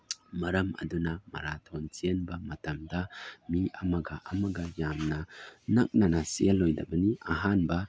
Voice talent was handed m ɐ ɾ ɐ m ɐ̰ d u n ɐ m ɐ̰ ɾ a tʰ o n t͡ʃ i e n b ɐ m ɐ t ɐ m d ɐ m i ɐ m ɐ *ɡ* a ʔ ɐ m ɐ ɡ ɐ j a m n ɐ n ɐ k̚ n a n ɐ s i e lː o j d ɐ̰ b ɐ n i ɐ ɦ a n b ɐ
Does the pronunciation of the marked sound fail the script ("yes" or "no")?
no